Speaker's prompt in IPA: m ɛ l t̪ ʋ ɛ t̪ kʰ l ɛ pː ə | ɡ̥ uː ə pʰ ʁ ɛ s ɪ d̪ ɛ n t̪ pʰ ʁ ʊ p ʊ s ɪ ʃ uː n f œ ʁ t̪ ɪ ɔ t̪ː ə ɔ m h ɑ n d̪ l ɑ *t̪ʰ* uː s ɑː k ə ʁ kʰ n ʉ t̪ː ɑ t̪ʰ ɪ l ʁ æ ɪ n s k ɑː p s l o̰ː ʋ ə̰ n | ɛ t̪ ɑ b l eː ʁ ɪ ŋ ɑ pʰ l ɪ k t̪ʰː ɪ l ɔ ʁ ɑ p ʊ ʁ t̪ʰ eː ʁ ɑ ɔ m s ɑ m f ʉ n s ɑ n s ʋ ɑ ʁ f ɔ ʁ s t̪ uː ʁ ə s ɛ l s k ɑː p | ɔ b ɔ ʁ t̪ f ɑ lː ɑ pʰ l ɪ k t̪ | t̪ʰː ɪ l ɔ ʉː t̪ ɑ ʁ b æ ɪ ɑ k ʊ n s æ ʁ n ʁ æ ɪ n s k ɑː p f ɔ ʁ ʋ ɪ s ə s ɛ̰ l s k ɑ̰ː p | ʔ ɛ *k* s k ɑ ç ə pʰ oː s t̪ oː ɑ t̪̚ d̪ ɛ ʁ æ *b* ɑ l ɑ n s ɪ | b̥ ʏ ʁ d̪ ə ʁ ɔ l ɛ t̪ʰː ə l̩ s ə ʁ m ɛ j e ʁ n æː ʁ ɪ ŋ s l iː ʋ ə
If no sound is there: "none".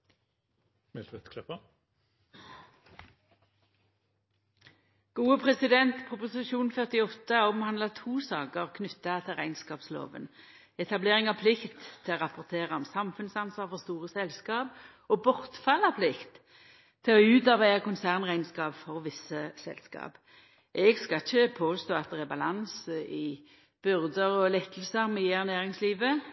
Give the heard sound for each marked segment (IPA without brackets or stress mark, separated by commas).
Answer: t̪ʰ, ɡ, b